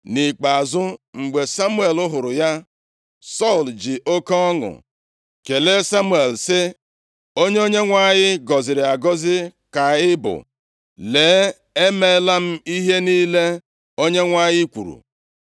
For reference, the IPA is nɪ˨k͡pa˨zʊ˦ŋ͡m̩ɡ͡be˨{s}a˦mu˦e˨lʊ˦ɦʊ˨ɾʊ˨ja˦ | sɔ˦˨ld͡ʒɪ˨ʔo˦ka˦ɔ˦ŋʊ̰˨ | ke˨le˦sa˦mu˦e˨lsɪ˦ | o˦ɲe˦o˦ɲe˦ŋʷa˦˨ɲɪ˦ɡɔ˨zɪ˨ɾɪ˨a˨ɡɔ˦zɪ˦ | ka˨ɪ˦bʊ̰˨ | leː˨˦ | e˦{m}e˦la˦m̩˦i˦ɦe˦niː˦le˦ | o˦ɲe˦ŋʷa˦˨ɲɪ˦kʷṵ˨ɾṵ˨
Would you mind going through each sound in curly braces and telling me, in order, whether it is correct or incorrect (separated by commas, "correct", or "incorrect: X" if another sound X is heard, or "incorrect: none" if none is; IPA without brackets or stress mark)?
correct, correct